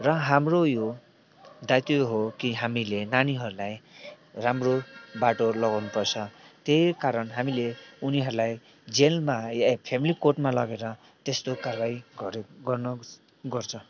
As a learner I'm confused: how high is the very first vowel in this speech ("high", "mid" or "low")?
mid